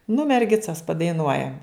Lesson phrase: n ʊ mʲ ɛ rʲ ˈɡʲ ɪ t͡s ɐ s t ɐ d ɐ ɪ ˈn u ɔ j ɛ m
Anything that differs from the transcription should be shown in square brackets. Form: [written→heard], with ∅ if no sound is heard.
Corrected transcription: n ʊ mʲ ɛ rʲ ˈɡʲ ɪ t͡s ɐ s [t→p] ɐ d ɐ ɪ ˈn u ɔ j ɛ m